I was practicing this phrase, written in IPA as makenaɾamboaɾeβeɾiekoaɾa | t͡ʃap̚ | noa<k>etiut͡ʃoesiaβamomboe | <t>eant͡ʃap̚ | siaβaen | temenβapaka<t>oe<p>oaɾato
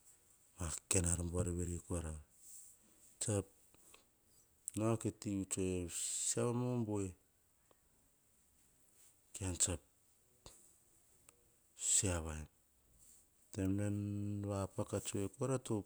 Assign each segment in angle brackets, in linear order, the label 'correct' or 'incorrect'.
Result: correct, incorrect: k, incorrect: t͡ʃ, incorrect: k

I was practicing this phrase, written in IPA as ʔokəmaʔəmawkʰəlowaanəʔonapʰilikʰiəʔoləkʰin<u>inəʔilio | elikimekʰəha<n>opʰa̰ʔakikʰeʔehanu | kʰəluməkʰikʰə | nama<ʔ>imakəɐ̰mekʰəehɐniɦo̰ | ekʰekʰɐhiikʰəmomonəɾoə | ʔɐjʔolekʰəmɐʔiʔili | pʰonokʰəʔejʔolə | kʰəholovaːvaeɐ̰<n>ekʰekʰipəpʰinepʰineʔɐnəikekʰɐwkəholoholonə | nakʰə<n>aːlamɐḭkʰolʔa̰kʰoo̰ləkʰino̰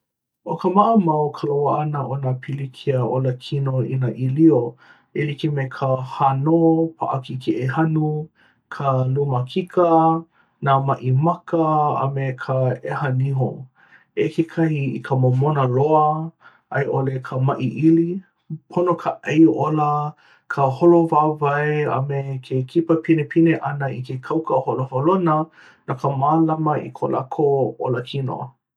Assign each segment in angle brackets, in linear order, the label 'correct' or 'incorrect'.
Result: incorrect: o, correct, correct, incorrect: m, incorrect: m

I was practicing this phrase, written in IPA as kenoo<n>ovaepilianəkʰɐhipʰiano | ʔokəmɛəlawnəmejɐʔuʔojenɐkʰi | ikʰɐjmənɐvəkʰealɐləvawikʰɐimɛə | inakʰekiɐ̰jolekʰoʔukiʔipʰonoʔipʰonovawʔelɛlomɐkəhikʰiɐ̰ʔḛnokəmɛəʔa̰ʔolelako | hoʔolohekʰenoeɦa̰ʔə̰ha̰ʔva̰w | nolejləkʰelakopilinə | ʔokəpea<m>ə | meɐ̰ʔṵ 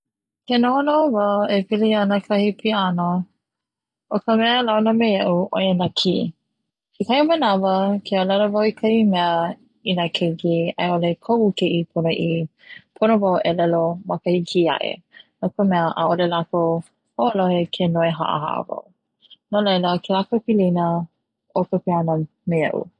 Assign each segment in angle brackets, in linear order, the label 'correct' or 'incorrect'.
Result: correct, incorrect: n

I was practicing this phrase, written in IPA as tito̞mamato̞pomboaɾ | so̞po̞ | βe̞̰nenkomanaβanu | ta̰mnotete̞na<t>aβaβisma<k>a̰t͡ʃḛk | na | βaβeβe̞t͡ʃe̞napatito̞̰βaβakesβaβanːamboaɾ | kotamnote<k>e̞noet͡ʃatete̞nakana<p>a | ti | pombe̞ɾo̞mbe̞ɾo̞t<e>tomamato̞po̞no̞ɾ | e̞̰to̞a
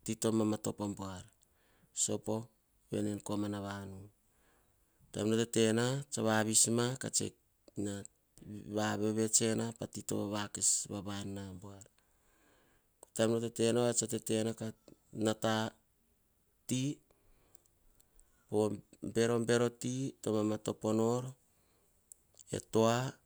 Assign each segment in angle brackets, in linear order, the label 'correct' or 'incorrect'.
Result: incorrect: t͡ʃ, correct, incorrect: t, incorrect: t, incorrect: i

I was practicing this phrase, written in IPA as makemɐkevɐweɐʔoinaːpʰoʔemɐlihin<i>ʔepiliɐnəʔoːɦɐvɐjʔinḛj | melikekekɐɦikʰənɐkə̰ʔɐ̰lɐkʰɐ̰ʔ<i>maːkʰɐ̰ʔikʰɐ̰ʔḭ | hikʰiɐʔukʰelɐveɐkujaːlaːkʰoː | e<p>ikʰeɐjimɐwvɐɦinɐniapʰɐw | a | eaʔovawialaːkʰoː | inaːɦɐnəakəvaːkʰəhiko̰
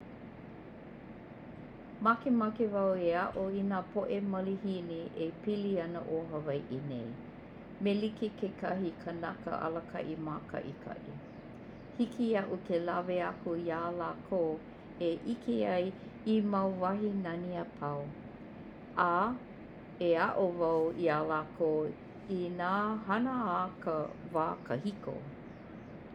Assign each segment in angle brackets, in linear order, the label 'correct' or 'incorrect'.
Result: correct, correct, incorrect: ʔ

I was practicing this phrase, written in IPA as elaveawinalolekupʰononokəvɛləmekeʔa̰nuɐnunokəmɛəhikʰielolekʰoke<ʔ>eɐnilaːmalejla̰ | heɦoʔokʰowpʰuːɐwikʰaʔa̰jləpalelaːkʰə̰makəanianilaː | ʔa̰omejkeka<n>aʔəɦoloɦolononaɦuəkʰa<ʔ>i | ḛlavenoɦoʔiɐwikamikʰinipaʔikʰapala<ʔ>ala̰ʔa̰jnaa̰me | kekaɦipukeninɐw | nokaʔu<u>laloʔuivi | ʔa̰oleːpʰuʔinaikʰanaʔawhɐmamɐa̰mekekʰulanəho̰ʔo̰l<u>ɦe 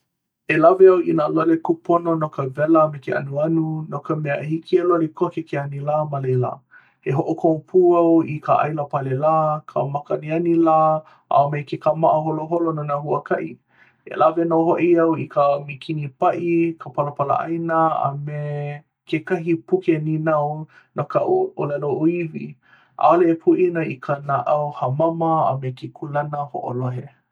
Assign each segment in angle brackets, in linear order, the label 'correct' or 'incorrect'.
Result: incorrect: k, incorrect: m, correct, incorrect: p, incorrect: o, incorrect: o

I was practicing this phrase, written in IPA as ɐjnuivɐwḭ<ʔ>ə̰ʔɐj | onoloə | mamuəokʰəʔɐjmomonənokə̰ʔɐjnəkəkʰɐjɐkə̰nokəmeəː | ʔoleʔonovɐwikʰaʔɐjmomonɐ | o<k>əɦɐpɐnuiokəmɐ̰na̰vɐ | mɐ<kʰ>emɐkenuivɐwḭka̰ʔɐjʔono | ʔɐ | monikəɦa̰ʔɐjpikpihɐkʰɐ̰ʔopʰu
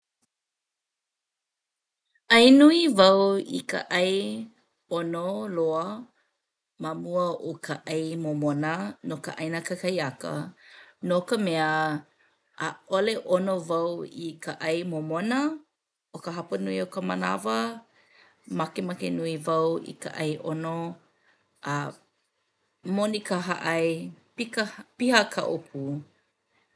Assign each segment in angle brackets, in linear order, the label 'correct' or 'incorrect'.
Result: incorrect: k, correct, incorrect: k

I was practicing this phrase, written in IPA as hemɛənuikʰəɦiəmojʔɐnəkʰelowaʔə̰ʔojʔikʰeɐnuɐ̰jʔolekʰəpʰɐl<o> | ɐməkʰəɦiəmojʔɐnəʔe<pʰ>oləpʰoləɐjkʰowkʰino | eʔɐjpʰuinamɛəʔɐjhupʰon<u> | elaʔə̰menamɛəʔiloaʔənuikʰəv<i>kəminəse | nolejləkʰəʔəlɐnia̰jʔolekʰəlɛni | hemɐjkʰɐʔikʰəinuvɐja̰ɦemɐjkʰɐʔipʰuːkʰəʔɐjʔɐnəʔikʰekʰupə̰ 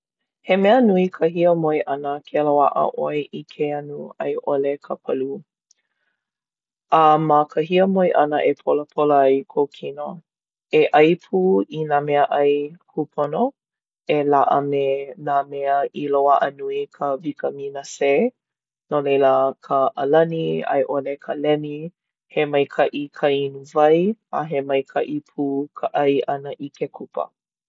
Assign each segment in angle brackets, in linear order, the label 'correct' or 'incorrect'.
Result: incorrect: u, correct, incorrect: o, correct

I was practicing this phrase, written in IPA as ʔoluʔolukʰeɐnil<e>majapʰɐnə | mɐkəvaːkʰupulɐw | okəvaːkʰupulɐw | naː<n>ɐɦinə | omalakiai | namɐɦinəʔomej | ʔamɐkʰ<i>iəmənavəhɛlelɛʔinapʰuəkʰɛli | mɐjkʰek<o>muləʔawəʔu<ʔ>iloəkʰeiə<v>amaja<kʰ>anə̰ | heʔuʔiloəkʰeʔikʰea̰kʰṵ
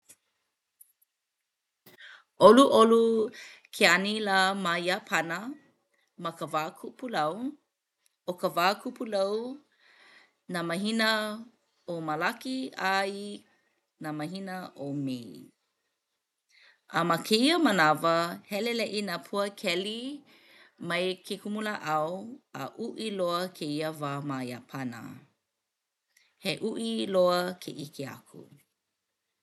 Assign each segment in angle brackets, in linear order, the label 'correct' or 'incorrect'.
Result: incorrect: a, incorrect: m, incorrect: e, incorrect: u, correct, correct, incorrect: pʰ

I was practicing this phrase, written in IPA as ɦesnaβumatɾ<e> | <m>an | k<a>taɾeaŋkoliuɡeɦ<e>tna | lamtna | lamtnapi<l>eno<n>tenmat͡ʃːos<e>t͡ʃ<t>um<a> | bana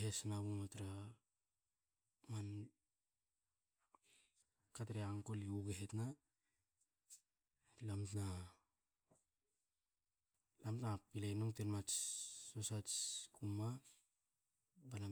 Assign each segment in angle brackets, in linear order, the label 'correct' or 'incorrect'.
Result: incorrect: a, correct, correct, correct, correct, incorrect: ŋ, incorrect: a, incorrect: k, correct

